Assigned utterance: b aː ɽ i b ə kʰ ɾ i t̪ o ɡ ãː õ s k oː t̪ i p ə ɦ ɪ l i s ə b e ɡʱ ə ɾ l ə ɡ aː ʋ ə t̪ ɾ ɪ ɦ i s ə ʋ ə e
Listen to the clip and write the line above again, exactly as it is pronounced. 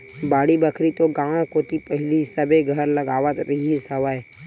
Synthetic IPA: b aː ɽ i b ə kʰ ɾ i t̪ o ɡ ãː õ k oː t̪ i p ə ɦ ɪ l i s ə b e ɡʱ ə ɾ l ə ɡ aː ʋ ə t̪ ɾ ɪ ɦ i s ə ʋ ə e